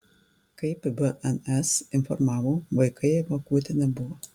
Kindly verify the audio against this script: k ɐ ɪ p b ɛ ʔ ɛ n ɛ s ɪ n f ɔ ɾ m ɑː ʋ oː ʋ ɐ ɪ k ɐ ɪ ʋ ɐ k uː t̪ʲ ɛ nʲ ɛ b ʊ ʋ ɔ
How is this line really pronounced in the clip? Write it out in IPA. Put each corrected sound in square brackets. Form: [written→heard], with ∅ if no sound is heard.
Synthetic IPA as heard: k ɐ ɪ p b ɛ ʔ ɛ n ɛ s ɪ n f ɔ ɾ m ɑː ʋ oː ʋ ɐ ɪ k ɐ ɪ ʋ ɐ k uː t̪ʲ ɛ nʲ ɛ b ʊ ʋ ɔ